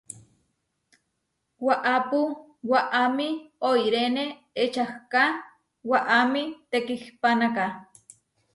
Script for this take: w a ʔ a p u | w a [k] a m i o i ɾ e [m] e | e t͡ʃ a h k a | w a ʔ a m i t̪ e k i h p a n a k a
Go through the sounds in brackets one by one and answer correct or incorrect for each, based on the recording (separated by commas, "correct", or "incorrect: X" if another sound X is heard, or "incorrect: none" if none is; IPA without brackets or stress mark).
incorrect: ʔ, incorrect: n